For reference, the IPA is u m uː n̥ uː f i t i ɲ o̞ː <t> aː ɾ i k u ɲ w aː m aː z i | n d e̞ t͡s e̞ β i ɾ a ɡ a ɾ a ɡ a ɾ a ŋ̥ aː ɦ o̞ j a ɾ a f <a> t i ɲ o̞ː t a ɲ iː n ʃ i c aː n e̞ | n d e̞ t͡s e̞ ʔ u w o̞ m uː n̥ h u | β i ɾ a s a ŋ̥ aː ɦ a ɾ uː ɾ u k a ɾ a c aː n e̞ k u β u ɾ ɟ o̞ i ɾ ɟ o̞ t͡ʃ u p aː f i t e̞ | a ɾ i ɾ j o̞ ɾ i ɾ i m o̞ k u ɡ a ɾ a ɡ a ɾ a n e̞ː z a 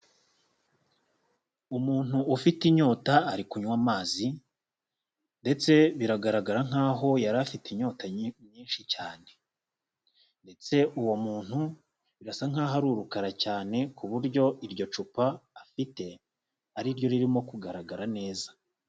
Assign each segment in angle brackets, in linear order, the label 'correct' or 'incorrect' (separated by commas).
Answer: correct, incorrect